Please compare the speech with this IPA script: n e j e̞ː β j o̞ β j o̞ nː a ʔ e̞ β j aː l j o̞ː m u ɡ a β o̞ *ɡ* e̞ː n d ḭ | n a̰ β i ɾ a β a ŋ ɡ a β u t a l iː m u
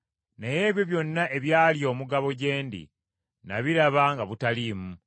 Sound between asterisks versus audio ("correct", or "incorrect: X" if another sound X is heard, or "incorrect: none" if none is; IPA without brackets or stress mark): incorrect: ɟ